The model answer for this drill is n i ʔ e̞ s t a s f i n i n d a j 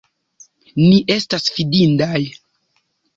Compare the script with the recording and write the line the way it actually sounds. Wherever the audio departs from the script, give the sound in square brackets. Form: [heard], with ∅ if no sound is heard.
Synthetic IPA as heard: n i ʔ e̞ s t a s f i [d] i n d a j